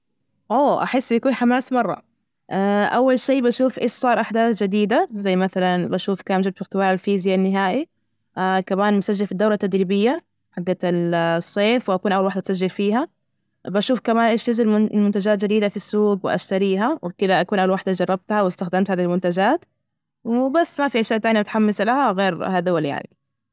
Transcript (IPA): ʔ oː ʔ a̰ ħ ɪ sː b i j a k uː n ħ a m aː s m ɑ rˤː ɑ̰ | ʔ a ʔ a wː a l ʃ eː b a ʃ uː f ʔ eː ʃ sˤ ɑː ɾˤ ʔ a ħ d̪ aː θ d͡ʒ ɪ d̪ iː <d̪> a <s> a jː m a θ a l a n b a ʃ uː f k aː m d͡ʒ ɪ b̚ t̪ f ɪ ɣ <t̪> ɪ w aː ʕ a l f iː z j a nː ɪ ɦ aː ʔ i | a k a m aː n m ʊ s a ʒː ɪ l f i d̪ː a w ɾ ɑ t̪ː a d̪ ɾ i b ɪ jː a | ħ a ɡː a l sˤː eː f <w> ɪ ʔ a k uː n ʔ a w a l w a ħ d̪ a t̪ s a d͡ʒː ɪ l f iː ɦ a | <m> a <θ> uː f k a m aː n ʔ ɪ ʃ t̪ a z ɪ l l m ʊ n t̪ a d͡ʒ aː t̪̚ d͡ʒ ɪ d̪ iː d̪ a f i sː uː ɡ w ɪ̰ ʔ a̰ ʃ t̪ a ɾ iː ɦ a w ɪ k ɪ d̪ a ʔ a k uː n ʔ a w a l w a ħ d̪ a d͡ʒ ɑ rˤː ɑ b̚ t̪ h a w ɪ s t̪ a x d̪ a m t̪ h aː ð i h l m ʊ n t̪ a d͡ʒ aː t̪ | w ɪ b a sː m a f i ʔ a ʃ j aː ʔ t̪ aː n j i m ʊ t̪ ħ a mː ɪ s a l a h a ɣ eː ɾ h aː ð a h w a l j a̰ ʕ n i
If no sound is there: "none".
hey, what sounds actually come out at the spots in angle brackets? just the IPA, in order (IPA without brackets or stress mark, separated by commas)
d̪, z, t̪, w, b, ʃ